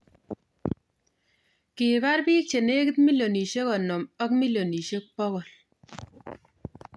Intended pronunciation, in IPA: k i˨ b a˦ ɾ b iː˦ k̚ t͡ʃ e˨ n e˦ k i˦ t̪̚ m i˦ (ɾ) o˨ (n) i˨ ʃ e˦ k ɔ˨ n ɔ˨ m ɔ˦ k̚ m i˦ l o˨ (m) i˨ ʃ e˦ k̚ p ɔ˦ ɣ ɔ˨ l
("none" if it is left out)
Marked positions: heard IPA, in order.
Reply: l, n, n

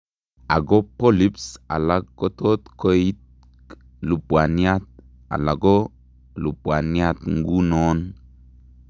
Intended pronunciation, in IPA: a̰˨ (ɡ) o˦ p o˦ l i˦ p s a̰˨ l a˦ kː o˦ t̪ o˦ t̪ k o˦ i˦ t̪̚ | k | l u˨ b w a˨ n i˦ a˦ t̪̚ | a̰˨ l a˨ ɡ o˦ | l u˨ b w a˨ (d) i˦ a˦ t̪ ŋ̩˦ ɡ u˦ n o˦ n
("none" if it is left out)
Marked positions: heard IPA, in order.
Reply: ɡ, n

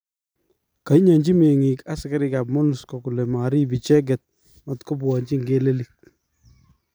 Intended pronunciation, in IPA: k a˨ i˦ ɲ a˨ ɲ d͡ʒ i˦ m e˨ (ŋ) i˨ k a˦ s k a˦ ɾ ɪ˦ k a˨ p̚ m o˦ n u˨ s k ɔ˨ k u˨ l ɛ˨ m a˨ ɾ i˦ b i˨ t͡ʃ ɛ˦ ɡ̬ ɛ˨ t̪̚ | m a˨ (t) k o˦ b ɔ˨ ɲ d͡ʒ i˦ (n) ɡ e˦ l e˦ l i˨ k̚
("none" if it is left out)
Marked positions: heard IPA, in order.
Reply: ŋ, t, ŋ

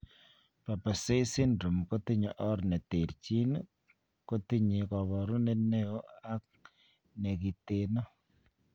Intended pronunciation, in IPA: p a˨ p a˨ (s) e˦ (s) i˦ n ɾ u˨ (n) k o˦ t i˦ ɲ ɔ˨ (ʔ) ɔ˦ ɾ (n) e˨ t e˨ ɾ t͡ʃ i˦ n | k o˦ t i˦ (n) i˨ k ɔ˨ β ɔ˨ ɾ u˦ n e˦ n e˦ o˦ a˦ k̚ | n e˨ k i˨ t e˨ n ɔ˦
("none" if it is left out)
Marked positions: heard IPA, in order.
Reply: s, s, m, ʔ, n, ɲ

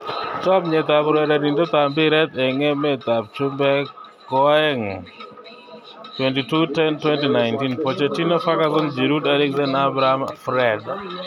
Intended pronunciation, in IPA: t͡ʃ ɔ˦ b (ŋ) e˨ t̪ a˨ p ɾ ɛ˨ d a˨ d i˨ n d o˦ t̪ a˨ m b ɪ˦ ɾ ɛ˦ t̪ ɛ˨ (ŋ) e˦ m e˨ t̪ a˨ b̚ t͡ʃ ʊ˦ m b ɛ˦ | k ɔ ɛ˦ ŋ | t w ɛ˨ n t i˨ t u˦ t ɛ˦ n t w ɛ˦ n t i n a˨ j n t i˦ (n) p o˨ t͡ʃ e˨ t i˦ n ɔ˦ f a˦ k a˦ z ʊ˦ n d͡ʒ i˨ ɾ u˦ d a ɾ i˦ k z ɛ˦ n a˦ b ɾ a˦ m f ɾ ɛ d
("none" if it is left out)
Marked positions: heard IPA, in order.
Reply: ɲ, ŋ, n

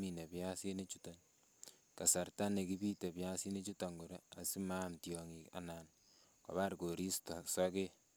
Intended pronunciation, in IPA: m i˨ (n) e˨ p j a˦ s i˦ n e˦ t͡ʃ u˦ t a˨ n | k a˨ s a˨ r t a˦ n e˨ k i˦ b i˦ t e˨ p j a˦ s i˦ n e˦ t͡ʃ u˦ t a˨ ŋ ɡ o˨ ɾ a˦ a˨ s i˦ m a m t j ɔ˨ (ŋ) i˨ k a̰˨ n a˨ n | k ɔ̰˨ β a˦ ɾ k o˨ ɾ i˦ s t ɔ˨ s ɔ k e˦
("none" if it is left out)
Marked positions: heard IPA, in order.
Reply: n, ŋ

